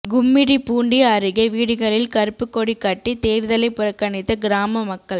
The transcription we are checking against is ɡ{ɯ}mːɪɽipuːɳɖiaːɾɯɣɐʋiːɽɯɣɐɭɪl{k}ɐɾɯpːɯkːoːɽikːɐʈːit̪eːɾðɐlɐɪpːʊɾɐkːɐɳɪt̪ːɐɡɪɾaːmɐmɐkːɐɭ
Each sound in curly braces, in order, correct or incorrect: incorrect, correct

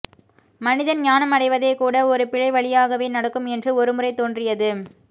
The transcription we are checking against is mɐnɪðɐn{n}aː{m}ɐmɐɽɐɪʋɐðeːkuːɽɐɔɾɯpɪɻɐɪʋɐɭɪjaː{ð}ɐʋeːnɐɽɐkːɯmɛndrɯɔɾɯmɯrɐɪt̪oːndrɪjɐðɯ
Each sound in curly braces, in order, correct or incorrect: incorrect, incorrect, incorrect

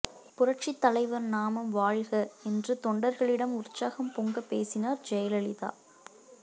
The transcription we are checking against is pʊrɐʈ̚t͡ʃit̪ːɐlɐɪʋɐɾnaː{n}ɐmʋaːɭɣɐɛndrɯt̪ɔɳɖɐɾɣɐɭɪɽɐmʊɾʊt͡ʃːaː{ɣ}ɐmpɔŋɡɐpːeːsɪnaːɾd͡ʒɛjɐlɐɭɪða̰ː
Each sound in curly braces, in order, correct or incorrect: incorrect, correct

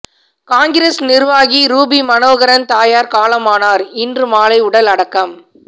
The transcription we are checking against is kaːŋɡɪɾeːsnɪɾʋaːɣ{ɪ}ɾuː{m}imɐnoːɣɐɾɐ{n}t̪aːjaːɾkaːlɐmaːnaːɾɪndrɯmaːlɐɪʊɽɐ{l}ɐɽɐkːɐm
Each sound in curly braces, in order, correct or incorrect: incorrect, incorrect, correct, correct

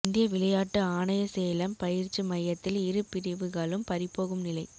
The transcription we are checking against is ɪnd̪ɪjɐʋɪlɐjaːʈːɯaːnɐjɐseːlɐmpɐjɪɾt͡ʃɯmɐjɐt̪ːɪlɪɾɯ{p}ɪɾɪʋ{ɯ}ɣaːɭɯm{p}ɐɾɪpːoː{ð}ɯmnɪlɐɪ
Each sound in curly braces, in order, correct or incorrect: correct, correct, correct, incorrect

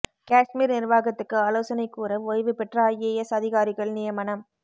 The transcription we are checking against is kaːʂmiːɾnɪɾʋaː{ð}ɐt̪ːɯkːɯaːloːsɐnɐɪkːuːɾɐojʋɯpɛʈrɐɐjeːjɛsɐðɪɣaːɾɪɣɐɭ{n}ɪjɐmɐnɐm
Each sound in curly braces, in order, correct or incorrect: incorrect, correct

